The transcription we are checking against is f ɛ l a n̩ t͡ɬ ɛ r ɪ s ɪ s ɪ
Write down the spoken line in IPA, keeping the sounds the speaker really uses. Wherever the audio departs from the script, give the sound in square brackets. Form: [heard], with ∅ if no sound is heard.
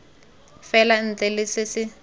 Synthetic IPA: f ɛ l a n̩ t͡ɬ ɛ [l] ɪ s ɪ s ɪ